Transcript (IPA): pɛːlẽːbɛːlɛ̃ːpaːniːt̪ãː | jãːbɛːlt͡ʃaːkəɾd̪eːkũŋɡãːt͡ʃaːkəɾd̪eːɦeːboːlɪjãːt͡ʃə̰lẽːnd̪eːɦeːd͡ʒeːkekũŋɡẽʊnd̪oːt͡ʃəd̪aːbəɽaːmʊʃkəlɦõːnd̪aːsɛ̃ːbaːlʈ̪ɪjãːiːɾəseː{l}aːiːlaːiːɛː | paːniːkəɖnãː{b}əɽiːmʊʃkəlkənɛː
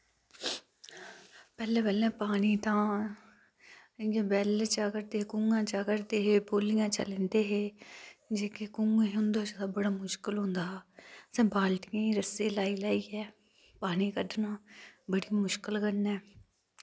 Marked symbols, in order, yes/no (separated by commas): yes, yes